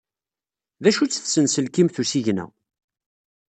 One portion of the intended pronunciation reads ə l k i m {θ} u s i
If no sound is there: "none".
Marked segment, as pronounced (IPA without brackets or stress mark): θ